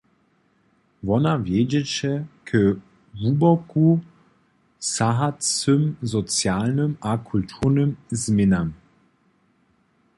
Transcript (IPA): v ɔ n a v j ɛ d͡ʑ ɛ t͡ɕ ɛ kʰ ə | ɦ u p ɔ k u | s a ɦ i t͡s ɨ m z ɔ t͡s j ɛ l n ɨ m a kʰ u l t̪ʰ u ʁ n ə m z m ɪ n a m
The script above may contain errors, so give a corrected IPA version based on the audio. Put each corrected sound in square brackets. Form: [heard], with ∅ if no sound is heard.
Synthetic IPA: v ɔ n a v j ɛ d͡ʑ ɛ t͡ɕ ɛ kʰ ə | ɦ u [b] ɔ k u | s a ɦ [a] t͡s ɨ m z ɔ t͡s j [a] l n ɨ m a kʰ u l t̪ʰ u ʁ n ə m z m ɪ n a m

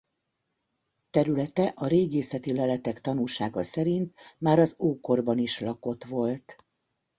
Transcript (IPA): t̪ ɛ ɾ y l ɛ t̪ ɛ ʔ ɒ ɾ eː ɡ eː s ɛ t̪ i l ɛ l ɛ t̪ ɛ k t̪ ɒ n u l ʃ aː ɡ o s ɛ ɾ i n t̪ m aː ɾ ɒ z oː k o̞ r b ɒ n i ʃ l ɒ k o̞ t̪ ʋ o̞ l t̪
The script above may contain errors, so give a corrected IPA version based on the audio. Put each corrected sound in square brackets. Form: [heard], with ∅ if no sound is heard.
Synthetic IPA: t̪ ɛ ɾ y l ɛ t̪ ɛ ʔ ɒ ɾ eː ɡ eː s ɛ t̪ i l ɛ l ɛ t̪ ɛ k t̪ ɒ n u l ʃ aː ɡ [ɒ] s ɛ ɾ i n t̪ m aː ɾ ɒ z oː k o̞ r b ɒ n i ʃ l ɒ k o̞ t̪ ʋ o̞ l t̪

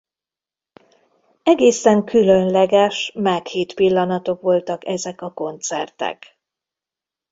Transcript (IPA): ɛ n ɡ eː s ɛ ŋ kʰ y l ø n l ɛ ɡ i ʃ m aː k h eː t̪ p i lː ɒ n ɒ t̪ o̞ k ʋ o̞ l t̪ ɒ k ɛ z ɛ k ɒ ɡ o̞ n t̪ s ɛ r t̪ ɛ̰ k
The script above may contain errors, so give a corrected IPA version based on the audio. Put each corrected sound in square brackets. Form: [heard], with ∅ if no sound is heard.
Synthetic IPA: ɛ [∅] ɡ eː s ɛ ŋ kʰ y l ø n l ɛ ɡ [ɛ] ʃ m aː k h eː t̪ p i lː ɒ n ɒ t̪ o̞ k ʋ o̞ l t̪ ɒ k ɛ z ɛ k ɒ [k] o̞ n t̪ s ɛ r t̪ ɛ̰ k

